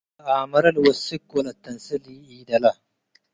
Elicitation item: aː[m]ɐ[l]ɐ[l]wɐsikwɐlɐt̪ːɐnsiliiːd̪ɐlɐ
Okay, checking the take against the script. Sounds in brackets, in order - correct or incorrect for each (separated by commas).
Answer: correct, incorrect, correct